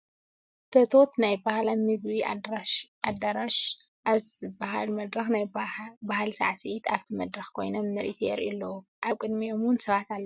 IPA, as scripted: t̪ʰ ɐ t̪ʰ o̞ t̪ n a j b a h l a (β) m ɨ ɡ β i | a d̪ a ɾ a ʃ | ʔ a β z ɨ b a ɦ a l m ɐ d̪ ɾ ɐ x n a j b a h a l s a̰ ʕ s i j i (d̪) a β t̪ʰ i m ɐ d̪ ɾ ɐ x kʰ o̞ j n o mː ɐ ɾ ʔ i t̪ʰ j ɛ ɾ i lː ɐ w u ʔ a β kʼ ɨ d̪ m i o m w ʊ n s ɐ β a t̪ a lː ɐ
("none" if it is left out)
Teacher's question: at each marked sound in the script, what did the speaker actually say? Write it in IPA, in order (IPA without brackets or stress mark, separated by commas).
none, t̪